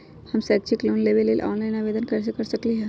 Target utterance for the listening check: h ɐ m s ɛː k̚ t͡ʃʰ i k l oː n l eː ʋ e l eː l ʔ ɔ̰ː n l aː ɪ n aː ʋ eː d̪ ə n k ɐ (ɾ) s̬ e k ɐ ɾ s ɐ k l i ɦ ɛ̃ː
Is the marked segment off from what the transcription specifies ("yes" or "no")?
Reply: no